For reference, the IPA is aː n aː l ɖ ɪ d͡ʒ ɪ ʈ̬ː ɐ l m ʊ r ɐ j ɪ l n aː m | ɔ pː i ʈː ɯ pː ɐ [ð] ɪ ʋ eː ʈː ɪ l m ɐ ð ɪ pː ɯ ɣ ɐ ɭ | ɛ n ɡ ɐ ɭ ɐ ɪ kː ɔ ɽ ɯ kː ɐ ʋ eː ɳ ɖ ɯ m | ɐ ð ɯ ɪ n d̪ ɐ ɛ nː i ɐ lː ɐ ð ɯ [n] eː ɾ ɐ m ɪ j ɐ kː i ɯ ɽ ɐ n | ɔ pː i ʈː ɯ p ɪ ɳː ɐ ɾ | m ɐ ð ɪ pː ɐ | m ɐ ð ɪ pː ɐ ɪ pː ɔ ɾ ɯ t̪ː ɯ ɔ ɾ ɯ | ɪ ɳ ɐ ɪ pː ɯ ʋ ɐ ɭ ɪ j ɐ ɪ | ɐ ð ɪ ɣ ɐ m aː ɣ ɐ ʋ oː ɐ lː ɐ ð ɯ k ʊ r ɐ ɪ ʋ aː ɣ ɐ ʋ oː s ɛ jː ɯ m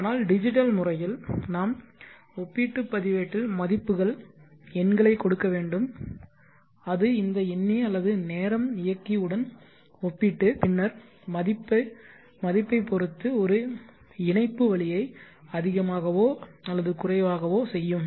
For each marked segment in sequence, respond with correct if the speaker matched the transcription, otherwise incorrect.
correct, correct

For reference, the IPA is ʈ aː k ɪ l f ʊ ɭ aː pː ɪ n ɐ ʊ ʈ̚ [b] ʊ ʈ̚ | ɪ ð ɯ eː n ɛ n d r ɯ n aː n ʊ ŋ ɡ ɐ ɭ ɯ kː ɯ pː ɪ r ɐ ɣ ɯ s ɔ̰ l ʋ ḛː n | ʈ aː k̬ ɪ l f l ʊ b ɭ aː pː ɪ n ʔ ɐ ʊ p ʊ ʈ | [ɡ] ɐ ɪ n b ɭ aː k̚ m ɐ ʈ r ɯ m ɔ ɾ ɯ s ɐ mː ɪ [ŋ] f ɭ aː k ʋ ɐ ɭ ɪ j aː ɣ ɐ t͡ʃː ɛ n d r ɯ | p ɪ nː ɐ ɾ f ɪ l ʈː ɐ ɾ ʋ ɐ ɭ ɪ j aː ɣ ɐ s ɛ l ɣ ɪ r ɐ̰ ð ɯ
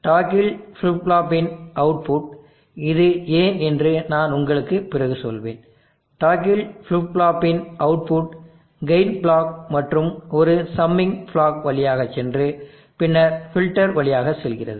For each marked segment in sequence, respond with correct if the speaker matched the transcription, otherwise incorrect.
incorrect, correct, correct

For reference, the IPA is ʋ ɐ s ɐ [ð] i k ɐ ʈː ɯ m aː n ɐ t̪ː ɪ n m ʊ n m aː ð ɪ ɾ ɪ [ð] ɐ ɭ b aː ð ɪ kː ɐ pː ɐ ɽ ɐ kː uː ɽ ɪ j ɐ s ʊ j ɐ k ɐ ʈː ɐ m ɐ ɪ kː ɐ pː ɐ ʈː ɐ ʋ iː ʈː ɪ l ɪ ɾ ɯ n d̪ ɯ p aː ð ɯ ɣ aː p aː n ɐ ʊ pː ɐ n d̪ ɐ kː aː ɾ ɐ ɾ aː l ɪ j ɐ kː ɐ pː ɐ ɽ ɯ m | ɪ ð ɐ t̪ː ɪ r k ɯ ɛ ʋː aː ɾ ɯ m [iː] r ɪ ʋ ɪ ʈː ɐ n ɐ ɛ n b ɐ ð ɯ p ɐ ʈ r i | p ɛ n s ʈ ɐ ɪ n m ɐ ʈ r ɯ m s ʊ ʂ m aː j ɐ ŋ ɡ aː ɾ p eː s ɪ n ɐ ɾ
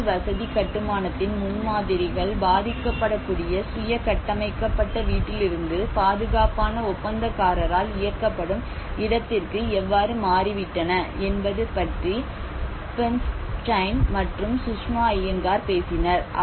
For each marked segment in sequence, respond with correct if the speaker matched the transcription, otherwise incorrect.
correct, incorrect, incorrect

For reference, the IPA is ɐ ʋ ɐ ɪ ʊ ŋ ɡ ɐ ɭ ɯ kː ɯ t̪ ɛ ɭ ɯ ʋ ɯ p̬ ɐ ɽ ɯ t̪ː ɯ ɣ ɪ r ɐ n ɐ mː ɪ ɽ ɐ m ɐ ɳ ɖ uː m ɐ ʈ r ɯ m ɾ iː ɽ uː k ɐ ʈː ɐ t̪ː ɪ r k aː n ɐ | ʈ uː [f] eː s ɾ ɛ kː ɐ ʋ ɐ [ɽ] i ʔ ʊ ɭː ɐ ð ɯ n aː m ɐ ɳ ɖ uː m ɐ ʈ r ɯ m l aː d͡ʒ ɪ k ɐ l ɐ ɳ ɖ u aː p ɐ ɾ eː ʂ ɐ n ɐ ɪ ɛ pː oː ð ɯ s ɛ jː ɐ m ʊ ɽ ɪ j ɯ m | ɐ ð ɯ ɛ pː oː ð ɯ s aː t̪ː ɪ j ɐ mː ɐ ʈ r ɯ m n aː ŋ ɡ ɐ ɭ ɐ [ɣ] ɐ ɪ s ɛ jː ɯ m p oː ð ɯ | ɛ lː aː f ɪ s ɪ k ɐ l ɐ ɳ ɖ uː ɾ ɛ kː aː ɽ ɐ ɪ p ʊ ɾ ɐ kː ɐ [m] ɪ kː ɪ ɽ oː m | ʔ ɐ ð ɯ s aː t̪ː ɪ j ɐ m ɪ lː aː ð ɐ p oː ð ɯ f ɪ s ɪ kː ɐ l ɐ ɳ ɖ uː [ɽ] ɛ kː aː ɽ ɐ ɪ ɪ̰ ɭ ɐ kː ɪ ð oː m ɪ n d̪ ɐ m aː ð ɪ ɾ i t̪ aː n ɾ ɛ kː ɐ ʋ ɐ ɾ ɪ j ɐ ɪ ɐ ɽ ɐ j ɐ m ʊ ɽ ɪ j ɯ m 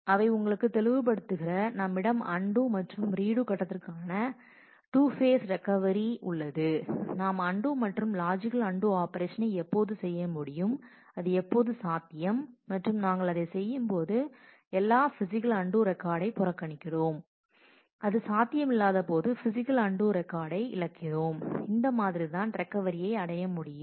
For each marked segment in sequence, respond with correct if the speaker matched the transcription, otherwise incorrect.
correct, incorrect, incorrect, incorrect, incorrect

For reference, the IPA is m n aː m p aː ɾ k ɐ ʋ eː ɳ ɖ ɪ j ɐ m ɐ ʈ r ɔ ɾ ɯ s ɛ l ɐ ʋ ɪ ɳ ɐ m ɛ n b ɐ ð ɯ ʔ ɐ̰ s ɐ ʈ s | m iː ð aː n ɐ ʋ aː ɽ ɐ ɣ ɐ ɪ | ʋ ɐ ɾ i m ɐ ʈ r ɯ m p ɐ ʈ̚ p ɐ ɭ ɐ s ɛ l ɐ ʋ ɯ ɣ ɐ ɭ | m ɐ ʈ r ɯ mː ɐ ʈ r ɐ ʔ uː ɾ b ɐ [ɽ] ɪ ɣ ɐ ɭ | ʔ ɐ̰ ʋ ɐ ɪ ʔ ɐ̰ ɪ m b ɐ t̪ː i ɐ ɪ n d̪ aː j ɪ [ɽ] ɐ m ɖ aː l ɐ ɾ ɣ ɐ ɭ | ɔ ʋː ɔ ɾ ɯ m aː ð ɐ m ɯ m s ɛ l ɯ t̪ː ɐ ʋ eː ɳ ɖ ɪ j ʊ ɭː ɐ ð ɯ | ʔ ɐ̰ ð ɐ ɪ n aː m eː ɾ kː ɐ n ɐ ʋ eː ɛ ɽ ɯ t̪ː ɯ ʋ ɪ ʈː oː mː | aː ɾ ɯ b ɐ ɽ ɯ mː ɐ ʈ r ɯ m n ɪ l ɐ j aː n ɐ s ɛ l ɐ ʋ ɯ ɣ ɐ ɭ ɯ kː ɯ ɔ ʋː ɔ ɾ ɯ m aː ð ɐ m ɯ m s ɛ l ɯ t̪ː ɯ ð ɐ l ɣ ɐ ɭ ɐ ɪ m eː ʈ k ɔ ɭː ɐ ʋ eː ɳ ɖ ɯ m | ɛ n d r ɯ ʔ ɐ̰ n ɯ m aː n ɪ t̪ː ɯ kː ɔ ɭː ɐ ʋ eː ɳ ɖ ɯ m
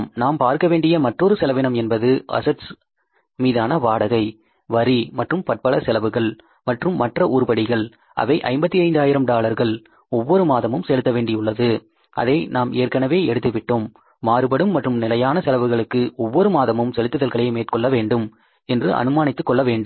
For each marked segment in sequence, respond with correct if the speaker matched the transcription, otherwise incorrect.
correct, incorrect

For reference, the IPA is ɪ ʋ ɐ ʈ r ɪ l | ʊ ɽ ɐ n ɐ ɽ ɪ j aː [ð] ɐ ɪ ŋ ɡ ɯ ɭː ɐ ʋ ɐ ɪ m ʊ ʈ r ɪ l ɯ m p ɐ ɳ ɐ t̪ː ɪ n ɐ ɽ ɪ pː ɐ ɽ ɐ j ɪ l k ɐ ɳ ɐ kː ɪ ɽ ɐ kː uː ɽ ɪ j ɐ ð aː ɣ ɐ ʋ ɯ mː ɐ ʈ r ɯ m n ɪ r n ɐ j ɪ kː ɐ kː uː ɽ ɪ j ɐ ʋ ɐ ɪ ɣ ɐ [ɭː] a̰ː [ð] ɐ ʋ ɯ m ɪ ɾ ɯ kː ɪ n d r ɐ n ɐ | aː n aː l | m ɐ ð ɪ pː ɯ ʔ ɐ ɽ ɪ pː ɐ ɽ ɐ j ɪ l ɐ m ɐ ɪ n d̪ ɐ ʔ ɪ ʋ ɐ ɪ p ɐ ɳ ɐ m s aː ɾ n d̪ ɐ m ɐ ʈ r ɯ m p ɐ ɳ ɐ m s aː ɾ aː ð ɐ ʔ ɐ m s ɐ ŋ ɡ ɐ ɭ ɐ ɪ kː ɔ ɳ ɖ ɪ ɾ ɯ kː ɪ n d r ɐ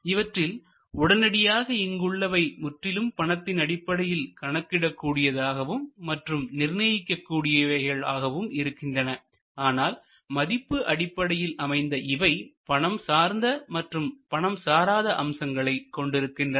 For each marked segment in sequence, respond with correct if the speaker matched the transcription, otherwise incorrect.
incorrect, incorrect, incorrect

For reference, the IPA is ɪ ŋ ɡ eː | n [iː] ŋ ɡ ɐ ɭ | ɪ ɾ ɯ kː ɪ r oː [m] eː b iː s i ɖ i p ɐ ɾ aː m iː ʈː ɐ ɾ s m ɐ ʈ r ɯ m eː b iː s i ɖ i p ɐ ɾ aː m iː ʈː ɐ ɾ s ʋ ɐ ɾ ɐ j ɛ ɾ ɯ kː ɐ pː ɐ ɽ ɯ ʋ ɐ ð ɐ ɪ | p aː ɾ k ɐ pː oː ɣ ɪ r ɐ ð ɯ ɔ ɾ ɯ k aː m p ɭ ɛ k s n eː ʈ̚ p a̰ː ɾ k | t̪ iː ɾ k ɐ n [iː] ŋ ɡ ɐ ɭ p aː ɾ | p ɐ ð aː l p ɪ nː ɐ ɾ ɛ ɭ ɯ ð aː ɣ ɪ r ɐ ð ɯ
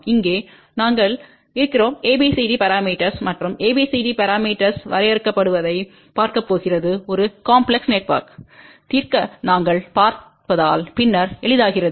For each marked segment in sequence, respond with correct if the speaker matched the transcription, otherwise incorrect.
incorrect, correct, incorrect

